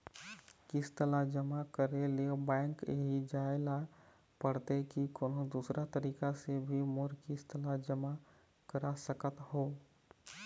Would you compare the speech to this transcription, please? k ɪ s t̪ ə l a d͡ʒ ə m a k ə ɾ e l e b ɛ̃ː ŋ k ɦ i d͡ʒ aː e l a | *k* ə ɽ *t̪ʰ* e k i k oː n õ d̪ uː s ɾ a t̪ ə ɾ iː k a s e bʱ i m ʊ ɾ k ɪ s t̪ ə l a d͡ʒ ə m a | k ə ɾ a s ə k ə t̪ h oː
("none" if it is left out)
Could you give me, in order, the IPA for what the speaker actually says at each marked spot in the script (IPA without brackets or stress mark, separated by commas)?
p, t̪